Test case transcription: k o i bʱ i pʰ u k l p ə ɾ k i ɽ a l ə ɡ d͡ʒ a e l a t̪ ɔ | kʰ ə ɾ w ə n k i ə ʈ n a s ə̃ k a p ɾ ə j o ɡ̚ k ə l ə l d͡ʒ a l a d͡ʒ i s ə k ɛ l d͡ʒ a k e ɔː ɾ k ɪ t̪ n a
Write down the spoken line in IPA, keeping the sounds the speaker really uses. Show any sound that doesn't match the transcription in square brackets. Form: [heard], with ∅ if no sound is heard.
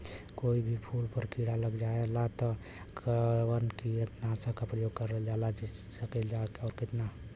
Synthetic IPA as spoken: k o i bʱ i pʰ u [∅] l p ə ɾ k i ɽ a l ə ɡ d͡ʒ a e l a t̪ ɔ | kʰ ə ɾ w ə n k i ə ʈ n a s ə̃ k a p ɾ ə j o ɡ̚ k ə [ɾ] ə l d͡ʒ a l a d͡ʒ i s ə k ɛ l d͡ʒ a k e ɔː ɾ k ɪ t̪ n a